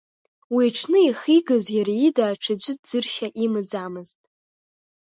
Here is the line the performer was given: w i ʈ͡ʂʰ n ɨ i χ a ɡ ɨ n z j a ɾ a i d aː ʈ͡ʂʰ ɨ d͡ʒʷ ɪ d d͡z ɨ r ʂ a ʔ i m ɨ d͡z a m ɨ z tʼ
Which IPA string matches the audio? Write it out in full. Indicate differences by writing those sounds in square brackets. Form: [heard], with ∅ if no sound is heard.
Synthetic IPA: w i ʈ͡ʂʰ n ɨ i χ [i] ɡ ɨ [∅] z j a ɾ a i d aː ʈ͡ʂʰ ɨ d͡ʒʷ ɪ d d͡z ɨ r [ʃ] a ʔ i m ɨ d͡z a m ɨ z tʼ